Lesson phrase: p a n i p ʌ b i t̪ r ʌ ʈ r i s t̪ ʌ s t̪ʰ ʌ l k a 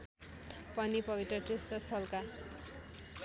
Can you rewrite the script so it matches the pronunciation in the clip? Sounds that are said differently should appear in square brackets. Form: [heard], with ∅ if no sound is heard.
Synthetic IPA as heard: p [ʌ] n i p ʌ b i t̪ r ʌ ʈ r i s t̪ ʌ s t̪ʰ ʌ l k a